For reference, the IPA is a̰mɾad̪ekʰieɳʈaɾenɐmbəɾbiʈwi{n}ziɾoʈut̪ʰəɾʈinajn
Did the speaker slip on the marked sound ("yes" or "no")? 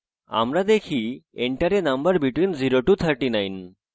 no